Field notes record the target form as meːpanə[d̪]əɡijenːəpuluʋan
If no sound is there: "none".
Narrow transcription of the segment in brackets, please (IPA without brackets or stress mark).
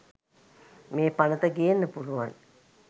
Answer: t̪